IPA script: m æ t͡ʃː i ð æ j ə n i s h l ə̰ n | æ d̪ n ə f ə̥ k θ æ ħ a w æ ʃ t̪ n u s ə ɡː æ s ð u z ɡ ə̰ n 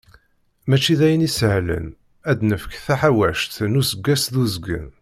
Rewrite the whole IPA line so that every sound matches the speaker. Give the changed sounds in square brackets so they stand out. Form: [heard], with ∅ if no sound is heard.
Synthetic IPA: m æ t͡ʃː i ð æ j ə n i s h l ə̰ n | æ d̪ n ə f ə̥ k θ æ ħ a w æ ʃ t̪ n u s ə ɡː æ s ð u z ɡ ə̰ n